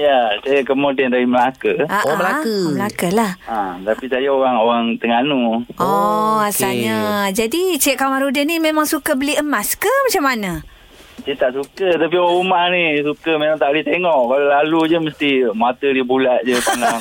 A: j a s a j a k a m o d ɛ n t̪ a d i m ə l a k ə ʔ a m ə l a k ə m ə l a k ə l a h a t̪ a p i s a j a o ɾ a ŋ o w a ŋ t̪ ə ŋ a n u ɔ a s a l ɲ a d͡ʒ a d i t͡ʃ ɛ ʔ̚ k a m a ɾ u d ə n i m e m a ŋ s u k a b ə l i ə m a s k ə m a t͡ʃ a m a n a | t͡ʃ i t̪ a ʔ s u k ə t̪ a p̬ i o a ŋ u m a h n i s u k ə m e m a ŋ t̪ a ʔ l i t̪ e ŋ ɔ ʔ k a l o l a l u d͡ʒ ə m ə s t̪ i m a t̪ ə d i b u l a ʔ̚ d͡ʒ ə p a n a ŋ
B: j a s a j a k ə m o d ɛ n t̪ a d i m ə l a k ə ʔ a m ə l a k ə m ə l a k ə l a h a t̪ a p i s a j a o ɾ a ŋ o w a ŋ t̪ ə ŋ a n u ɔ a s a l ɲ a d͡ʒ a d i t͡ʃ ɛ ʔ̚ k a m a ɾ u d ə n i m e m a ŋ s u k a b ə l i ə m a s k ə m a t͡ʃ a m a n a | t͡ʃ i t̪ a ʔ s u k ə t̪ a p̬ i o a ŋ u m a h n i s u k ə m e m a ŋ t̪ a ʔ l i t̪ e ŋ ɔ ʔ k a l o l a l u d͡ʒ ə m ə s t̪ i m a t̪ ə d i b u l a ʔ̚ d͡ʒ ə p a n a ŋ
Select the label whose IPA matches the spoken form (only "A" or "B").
B